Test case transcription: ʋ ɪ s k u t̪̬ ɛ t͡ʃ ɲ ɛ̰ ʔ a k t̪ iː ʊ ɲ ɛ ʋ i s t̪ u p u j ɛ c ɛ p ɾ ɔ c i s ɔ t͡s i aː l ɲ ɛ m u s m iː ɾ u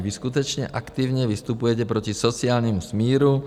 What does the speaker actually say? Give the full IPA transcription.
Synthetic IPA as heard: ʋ i s k u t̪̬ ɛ t͡ʃ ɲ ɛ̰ ʔ a k t̪ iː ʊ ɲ ɛ ʋ i s t̪ u p u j ɛ c ɛ p ɾ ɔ c i s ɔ t͡s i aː l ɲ ɛ m u s m iː ɾ u